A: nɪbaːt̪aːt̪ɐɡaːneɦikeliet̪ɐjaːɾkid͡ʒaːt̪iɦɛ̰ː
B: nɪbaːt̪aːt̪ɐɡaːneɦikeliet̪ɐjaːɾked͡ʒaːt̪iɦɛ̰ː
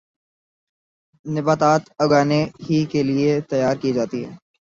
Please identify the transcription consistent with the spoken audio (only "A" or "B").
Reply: A